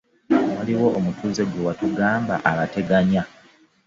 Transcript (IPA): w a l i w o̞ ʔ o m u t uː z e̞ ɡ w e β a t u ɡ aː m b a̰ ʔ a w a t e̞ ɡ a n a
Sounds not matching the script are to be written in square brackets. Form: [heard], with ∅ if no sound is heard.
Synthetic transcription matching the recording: w a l i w o̞ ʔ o m u t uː z e̞ ɡ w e [w] a t u ɡ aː m b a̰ ʔ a [β] a t e̞ ɡ a [ɲ] a